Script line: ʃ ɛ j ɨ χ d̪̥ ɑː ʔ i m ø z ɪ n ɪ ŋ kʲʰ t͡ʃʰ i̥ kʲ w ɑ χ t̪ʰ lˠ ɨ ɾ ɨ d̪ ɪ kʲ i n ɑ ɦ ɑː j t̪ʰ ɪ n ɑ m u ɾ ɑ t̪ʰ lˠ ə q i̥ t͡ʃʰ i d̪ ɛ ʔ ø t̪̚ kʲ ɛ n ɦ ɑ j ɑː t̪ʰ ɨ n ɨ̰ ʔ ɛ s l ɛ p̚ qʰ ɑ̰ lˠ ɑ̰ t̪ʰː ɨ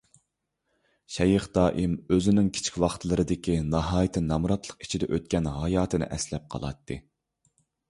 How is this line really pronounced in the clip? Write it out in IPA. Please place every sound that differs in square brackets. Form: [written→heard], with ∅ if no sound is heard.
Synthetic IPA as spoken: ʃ ɛ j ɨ χ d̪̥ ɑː ʔ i m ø z ɪ n ɪ ŋ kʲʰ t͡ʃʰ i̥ kʲ w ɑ χ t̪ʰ lˠ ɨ ɾ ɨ d̪ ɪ kʲ i n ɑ ɦ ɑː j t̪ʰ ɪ n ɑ m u ɾ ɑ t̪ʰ lˠ ə q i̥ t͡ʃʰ i d̪ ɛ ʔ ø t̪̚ kʲ ɛ n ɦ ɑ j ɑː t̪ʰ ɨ n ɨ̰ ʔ ɛ s l ɛ p̚ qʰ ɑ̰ lˠ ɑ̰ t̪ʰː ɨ